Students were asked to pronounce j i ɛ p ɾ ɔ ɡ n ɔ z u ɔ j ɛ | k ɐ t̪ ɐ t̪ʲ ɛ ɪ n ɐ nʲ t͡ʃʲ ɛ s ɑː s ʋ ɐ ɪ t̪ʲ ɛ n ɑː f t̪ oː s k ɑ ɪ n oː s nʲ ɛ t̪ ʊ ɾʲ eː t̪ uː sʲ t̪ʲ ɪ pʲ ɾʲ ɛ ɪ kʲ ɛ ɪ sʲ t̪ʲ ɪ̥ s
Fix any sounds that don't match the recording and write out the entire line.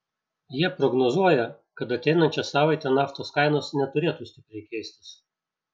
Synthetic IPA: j i ɛ p ɾ ɔ ɡ n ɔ z u ɔ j ɛ | k ɐ t̪ ɐ t̪ʲ ɛ ɪ n ɐ nʲ t͡ʃʲ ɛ s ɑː ʋ ɐ ɪ t̪ʲ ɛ n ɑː f t̪ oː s k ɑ ɪ n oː s nʲ ɛ t̪ ʊ ɾʲ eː t̪ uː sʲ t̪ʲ ɪ pʲ ɾʲ ɛ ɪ kʲ ɛ ɪ sʲ t̪ʲ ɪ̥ s

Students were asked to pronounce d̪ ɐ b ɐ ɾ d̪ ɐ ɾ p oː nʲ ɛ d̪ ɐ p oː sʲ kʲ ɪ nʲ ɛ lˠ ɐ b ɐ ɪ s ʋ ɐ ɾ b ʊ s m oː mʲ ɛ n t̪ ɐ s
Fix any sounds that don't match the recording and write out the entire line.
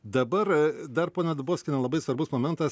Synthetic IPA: d̪ ɐ b ɐ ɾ d̪ ɐ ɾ p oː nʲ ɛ d̪ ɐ b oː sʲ kʲ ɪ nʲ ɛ lˠ ɐ b ɐ ɪ s ʋ ɐ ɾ b ʊ s m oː mʲ ɛ n t̪ ɐ s

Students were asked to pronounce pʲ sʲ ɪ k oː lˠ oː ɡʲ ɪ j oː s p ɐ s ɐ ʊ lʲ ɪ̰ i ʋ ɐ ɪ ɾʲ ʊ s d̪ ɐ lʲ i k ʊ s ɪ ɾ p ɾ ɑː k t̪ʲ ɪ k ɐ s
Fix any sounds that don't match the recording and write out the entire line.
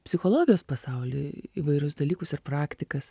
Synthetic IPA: pʲ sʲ ɪ x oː lˠ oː ɡʲ ɪ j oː s p ɐ s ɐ ʊ lʲ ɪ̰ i ʋ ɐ ɪ ɾʲ ʊ s d̪ ɐ lʲ iː k ʊ s ɪ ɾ p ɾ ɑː k t̪ʲ ɪ k ɐ s

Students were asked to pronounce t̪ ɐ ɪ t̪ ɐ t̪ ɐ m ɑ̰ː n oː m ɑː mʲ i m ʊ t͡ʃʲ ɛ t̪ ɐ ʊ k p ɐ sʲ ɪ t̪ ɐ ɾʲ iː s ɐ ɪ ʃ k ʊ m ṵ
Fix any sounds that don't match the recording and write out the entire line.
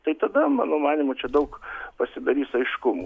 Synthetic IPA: t̪ ɐ ɪ t̪ ɐ d̪ ɐ m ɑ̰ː n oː m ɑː nʲ i m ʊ t͡ʃʲ ɛ d̪ ɐ ʊ k p ɐ sʲ ɪ d̪ ɐ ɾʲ iː s ɐ ɪ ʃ k ʊ m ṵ

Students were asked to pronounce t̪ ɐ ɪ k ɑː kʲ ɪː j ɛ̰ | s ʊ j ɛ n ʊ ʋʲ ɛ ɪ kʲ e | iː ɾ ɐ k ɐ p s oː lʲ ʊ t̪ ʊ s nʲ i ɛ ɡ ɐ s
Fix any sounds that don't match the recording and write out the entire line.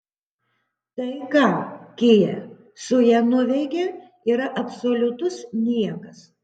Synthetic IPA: t̪ ɐ ɪ k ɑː kʲ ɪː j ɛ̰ | s ʊ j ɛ n ʊ ʋʲ ɛ ɪ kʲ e | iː ɾ ɐ ʔ ɐ p s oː lʲ ʊ t̪ ʊ s nʲ i ɛ k ɐ s

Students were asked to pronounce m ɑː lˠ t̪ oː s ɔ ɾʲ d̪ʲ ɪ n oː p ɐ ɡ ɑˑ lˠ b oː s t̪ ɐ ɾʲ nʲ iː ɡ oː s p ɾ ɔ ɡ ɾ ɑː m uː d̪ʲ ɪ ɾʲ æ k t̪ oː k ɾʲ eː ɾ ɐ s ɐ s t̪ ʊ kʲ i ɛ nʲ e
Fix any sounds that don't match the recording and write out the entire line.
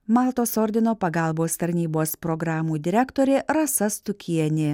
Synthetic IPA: m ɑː lˠ t̪ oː s ɔ ɾʲ d̪ʲ ɪ n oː p ɐ ɡ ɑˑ lˠ b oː s t̪ ɐ ɾʲ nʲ iː b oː s p ɾ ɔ ɡ ɾ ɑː m uː d̪ʲ ɪ ɾʲ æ k t̪ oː ɾʲ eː ɾ ɐ s ɐ s t̪ ʊ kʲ i ɛ nʲ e

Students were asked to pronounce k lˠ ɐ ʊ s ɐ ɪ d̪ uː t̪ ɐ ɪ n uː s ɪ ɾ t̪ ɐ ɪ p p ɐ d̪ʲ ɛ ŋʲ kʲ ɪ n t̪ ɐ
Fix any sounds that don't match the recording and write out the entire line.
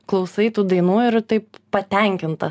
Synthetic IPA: k lˠ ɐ ʊ s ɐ ɪ t̪ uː d̪ ɐ ɪ n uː ɪ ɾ t̪ ɐ ɪ p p ɐ t̪ʲ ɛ ŋʲ kʲ ɪ n t̪ ɐ

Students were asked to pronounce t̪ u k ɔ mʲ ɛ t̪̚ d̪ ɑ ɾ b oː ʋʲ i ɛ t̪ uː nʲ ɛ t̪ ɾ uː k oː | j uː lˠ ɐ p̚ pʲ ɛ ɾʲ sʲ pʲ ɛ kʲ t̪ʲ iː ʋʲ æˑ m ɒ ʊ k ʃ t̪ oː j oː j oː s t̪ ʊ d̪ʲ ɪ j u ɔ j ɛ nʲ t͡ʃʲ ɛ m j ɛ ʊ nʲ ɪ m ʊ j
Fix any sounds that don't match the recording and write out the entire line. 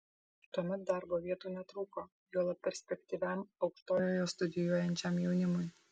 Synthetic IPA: t̪ u ɔ mʲ ɛ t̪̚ d̪ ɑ ɾ b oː ʋʲ i ɛ t̪ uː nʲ ɛ t̪ ɾ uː k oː | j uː lˠ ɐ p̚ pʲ ɛ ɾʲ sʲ pʲ ɛ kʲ t̪ʲ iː ʋʲ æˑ m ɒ ʊ k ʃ t̪ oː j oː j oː s t̪ ʊ d̪ʲ ɪ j u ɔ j ɛ nʲ t͡ʃʲ ɛ m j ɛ ʊ nʲ ɪ m ʊ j

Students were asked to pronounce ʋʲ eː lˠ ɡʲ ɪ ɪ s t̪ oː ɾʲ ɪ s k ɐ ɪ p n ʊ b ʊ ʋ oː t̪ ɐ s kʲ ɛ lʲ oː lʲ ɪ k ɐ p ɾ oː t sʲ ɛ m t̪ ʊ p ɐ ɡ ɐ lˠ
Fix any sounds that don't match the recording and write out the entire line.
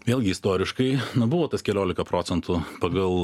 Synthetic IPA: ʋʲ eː lˠ ɡʲ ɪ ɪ s t̪ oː ɾʲ ɪ ʃ k ɐ ɪ n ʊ b ʊ ʋ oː t̪ ɐ s kʲ ɛ lʲ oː lʲ ɪ k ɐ p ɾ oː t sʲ ɛ n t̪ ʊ p ɐ ɡ ɐ lˠ

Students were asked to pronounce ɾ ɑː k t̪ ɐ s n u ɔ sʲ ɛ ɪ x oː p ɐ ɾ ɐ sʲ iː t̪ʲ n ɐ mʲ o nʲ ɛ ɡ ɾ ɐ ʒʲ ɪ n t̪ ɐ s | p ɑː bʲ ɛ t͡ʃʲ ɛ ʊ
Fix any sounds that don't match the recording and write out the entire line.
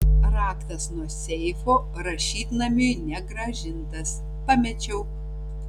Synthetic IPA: ɾ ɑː k t̪ ɐ s n u ɔ sʲ ɛ ɪ f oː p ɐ ɾ ɐ ʃʲ iː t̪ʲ n ɐ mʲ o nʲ ɛ ɡ ɾ ɐ ʒʲ ɪ n t̪ ɐ s | p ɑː mʲ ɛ t͡ʃʲ ɛ ʊ

